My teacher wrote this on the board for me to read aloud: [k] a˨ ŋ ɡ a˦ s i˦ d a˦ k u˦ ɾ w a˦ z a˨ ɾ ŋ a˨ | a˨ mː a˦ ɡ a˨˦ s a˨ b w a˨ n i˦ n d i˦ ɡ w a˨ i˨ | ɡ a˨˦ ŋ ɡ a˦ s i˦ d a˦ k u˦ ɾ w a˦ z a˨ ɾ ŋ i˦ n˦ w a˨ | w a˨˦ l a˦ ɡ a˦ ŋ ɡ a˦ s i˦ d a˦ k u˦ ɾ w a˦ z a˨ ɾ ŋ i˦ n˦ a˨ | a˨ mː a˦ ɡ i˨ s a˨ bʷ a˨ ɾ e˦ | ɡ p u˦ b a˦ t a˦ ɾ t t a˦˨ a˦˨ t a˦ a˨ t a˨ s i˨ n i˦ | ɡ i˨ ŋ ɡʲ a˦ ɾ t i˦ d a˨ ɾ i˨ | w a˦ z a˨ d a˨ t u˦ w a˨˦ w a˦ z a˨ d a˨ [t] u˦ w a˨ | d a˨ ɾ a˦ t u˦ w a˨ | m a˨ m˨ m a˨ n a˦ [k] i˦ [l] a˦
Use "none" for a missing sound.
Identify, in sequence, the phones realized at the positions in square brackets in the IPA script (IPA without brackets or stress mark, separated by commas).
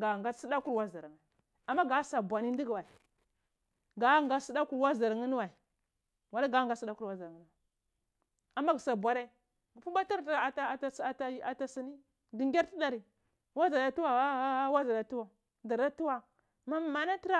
ɡ, t, t, ɾ